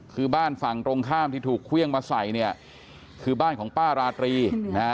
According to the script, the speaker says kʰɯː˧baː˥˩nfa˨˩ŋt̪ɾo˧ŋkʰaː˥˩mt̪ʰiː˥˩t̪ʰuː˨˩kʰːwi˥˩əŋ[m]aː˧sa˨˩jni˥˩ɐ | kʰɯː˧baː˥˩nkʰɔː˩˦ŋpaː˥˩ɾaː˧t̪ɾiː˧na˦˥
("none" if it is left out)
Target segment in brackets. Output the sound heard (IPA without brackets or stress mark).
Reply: m